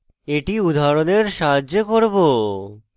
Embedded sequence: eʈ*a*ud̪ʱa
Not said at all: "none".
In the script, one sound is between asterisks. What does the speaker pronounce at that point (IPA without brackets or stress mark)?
i